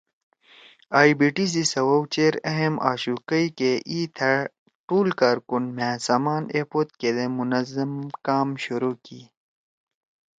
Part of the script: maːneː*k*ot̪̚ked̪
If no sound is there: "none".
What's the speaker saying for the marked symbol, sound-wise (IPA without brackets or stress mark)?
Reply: p